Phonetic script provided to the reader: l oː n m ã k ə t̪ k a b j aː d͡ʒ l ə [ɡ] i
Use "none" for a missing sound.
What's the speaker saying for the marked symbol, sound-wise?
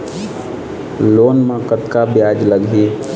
ɡ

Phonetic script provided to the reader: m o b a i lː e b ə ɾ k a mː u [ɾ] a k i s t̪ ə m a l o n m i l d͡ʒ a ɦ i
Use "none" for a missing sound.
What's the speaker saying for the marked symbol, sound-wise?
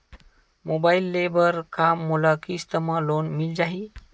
l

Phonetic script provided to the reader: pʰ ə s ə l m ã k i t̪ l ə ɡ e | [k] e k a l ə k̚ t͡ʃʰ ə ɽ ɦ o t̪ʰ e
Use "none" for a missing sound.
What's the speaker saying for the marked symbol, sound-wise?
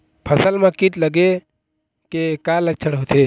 k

